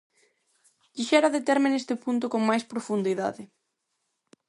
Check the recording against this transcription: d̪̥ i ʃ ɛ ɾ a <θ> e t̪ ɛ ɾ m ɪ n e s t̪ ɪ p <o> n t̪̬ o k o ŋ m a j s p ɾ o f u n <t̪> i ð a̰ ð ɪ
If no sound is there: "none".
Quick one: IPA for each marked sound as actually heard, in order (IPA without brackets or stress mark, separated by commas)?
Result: ð, u, d̪